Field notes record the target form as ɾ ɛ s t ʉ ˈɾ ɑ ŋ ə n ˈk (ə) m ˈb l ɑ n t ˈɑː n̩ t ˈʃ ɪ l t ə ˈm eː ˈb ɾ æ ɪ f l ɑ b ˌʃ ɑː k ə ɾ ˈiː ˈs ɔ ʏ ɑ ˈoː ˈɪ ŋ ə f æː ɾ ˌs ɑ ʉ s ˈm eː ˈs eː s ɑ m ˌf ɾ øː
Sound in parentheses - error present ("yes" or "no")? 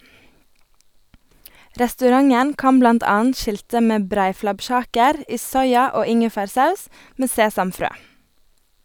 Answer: yes